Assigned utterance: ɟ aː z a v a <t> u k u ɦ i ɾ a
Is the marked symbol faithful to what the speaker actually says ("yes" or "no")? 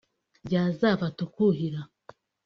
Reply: yes